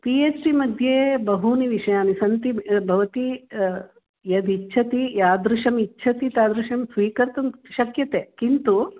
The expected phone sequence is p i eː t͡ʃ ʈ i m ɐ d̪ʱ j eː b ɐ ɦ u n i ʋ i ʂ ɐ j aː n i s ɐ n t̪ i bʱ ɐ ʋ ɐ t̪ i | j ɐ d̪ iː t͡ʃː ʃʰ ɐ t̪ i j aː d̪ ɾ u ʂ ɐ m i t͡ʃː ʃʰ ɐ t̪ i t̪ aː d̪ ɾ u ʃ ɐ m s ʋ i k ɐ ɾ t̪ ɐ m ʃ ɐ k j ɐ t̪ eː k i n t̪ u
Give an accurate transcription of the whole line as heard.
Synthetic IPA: p i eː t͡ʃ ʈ i m ɐ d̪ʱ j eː b ɐ ɦ u n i ʋ i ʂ ɐ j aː n i s ɐ n t̪ i bʱ ɐ ʋ ɐ t̪ i | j ɐ d̪ i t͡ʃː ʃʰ ɐ t̪ i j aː d̪ ɾ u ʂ ɐ m i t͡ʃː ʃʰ ɐ t̪ i t̪ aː d̪ ɾ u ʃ ɐ m s ʋ iː k ɐ ɾ t̪ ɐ m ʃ ɐ k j ɐ t̪ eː k i n t̪ u